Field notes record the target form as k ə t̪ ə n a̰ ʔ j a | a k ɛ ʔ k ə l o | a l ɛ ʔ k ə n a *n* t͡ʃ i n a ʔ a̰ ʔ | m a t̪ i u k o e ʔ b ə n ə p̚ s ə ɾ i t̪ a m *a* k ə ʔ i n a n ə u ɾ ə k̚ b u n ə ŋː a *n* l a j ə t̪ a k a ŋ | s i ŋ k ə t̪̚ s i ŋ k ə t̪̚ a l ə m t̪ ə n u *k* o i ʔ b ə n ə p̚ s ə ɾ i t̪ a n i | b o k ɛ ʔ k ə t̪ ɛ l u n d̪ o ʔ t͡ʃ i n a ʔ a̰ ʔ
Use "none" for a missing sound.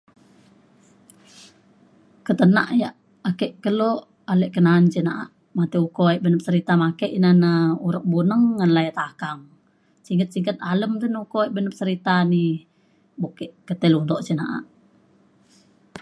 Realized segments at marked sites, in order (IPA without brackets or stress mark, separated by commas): n, a, n, k